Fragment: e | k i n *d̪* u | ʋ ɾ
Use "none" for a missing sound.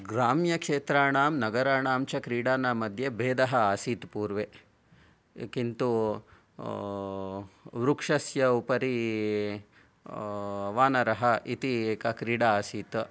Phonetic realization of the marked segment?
t̪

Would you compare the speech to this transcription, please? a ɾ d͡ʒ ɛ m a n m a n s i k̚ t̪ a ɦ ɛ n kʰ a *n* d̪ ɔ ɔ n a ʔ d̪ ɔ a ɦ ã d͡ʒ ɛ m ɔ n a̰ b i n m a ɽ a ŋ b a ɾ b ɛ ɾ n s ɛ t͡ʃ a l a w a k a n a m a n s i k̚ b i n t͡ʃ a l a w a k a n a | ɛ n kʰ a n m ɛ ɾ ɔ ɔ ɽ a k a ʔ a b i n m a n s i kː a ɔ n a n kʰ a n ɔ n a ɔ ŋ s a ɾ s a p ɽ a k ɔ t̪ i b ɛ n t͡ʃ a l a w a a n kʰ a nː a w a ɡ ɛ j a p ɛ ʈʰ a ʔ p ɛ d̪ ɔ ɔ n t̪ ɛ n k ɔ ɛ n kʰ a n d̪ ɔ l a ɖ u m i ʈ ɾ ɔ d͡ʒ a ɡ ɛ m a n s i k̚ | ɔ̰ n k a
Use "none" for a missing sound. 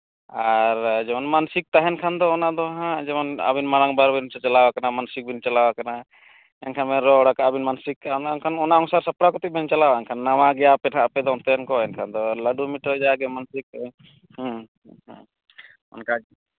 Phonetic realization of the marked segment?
n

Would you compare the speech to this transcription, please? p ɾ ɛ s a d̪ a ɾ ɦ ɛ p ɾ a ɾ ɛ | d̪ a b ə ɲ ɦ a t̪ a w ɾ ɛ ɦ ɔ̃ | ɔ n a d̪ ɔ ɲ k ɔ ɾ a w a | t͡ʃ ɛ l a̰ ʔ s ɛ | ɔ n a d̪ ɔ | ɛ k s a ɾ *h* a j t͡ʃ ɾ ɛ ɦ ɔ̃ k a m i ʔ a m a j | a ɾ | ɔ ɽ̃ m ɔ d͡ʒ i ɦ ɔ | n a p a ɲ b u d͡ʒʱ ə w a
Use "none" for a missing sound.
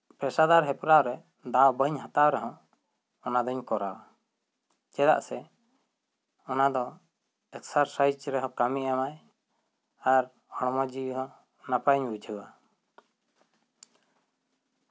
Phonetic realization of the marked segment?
s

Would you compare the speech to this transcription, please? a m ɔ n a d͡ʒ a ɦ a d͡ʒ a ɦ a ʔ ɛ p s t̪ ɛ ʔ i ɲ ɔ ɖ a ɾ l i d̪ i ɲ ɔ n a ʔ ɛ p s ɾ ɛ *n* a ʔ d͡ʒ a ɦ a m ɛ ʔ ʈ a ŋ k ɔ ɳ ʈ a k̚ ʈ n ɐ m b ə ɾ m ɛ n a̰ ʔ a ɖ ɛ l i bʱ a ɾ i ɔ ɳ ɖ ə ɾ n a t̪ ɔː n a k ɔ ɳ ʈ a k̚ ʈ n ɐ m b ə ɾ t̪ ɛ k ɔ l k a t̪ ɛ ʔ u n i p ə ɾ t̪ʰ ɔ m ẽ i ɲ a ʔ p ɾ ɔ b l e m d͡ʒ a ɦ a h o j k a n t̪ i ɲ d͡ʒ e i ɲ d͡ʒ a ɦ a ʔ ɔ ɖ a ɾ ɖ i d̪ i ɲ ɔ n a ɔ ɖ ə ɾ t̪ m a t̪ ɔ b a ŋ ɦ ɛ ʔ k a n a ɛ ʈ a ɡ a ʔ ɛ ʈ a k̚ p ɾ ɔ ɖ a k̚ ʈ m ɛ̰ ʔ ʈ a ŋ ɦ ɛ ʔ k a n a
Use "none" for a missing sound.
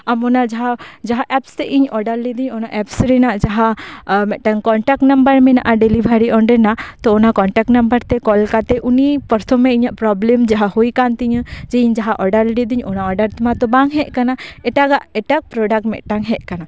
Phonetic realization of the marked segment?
n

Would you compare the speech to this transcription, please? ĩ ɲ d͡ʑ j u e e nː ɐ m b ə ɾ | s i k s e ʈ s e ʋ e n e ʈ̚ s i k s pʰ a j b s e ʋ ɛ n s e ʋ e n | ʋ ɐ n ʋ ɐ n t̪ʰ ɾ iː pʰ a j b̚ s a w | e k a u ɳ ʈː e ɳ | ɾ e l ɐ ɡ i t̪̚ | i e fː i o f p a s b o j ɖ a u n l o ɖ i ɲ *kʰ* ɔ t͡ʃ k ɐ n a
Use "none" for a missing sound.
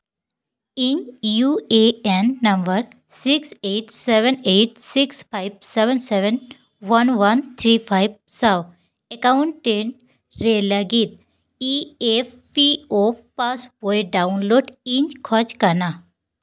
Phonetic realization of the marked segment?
kʰ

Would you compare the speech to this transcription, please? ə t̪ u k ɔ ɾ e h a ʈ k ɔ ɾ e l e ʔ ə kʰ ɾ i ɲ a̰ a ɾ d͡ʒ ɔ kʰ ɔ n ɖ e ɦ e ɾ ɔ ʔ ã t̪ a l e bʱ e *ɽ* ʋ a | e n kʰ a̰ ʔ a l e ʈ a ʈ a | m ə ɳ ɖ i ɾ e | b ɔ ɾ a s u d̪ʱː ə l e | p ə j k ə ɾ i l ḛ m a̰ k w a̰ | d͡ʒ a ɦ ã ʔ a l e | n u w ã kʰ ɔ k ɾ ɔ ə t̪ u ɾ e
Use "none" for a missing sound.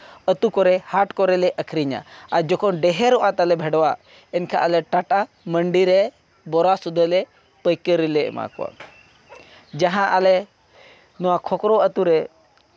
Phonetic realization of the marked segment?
ɽ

